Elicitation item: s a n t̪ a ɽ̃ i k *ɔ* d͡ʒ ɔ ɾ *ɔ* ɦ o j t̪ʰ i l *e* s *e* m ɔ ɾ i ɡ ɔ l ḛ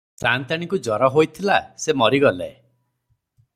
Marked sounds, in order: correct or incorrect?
incorrect: u, correct, incorrect: a, correct

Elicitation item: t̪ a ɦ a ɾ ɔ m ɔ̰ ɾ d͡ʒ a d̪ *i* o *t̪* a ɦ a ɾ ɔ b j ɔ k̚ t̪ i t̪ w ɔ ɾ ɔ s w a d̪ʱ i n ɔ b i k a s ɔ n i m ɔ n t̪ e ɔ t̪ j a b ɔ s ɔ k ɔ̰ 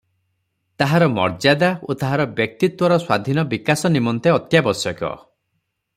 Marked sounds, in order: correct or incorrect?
incorrect: a, correct

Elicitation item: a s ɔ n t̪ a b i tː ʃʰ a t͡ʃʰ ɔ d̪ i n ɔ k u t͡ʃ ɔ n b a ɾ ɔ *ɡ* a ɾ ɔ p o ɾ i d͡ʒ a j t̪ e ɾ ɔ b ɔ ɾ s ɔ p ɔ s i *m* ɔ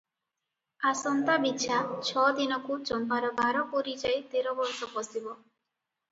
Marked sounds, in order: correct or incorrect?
incorrect: b, incorrect: b

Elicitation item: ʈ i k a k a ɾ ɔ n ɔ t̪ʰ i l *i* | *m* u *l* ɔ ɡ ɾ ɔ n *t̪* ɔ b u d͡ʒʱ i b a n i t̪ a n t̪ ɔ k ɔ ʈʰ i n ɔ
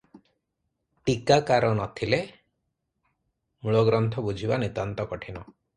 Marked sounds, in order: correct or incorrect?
incorrect: e, correct, incorrect: ɭ, incorrect: t̪ʰ

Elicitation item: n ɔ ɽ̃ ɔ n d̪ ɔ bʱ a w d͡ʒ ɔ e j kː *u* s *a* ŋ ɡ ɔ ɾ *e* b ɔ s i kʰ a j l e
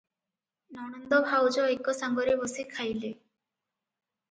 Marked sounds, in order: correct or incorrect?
incorrect: ɔ, correct, correct

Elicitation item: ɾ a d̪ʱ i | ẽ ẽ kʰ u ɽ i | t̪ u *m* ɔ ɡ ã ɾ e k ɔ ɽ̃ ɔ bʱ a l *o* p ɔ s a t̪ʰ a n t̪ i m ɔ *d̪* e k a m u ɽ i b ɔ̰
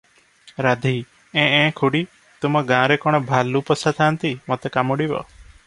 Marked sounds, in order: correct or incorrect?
correct, incorrect: u, incorrect: t̪

